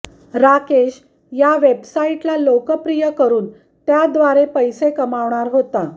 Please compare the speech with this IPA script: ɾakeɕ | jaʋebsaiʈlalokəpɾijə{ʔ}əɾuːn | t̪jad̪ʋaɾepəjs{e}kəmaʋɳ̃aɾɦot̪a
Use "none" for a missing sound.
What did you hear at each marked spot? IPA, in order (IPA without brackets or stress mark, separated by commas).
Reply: k, e